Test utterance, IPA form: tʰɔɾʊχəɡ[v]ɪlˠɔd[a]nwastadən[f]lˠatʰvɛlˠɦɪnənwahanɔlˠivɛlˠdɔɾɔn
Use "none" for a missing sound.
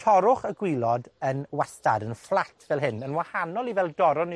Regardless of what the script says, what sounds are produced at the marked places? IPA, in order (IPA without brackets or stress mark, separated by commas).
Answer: w, ə, f